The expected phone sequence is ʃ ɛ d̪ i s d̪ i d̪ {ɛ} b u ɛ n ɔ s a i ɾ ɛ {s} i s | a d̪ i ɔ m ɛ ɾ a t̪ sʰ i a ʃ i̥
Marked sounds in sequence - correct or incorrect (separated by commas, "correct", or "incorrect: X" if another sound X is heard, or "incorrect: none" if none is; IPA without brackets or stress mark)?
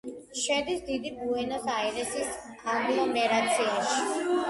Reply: incorrect: i, correct